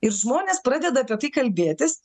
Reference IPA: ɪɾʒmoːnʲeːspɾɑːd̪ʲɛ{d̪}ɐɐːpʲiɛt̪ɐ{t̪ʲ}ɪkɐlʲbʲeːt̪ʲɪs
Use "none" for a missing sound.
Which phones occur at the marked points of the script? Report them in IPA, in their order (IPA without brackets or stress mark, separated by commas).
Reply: d̪, none